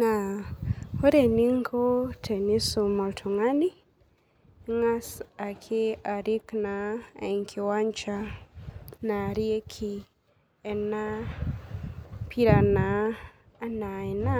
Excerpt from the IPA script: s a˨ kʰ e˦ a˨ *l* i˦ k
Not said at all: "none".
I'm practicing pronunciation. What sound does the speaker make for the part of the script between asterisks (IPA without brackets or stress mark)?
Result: ɾ